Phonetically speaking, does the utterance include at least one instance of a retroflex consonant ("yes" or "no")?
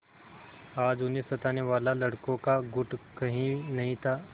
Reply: yes